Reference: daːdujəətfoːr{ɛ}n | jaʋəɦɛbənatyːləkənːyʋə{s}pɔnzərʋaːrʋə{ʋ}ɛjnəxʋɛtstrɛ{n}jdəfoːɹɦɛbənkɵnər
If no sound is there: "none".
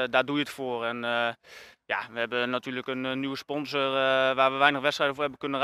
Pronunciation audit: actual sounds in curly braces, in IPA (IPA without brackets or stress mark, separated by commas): ɛ, s, ʋ, none